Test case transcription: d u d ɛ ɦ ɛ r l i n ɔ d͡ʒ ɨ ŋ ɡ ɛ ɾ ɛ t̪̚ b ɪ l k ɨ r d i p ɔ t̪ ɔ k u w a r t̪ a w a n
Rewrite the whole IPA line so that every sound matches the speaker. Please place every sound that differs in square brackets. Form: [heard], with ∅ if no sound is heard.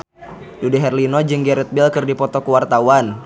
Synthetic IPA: d u d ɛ ɦ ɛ r l i n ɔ d͡ʒ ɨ ŋ ɡ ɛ ɾ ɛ t̪̚ b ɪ l k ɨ r d i p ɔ t̪ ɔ k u w a r t̪ a w a n